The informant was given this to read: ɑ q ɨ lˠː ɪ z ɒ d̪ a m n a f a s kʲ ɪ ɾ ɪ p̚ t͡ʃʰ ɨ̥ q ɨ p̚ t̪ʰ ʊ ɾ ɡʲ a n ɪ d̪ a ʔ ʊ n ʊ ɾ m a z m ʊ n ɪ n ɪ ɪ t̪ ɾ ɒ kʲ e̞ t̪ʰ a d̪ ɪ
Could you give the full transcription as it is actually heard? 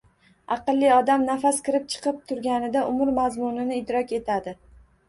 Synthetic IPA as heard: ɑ q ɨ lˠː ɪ ɒ d̪ a m n a f a s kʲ ɪ ɾ ɪ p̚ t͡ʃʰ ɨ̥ q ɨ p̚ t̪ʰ ʊ ɾ ɡʲ a n ɪ d̪ a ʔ ʊ m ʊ ɾ m a z m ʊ n ɪ n ɪ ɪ d̪ ɾ ɒ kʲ e̞ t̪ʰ a d̪ ɪ